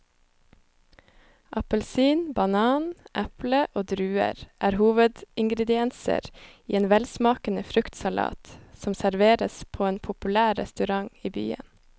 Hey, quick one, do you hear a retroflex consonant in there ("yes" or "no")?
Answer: no